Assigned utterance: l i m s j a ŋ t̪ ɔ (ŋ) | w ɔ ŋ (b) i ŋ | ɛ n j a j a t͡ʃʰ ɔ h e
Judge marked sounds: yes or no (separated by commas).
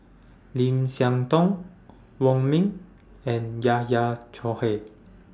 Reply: yes, no